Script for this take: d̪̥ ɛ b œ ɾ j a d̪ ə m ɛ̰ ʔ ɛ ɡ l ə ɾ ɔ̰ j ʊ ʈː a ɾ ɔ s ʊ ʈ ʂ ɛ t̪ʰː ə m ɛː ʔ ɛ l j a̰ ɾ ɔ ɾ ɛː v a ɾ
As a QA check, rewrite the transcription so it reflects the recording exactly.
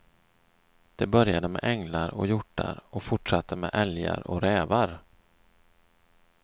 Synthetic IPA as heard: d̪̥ ɛ b œ ɾ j a d̪ ə m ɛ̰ ʔ ɛ ŋ l a ɾ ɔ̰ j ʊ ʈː a ɾ ɔ f ʊ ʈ ʂ a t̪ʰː ə m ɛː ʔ ɛ l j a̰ ɾ ɔ ɾ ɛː v a ɾ